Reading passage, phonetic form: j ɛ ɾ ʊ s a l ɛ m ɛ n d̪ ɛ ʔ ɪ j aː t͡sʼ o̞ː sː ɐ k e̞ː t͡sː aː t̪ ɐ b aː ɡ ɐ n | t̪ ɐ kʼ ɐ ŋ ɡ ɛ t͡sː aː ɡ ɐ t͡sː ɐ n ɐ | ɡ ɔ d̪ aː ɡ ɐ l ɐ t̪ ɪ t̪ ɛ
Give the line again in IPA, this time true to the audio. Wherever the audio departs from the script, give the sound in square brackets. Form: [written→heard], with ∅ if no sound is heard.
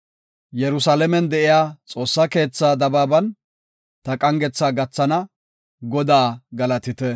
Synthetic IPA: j ɛ ɾ ʊ s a l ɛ m ɛ n d̪ ɛ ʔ ɪ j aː t͡sʼ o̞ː sː ɐ k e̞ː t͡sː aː [t̪→d̪] ɐ b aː [ɡ→b] ɐ n | t̪ ɐ kʼ ɐ ŋ ɡ ɛ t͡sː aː ɡ ɐ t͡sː ɐ n ɐ | ɡ ɔ d̪ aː ɡ ɐ l ɐ t̪ ɪ t̪ ɛ